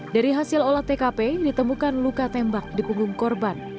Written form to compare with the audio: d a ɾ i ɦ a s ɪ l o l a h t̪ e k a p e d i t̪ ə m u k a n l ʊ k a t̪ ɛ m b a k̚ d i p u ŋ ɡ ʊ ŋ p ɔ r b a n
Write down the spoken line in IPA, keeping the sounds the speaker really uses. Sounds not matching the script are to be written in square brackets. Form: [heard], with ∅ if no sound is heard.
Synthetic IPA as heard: d a ɾ i ɦ a s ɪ l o l a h t̪ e k a p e d i t̪ ə m u k a n l [u] k a t̪ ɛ m b a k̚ d i p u ŋ ɡ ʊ ŋ [k] ɔ r b a n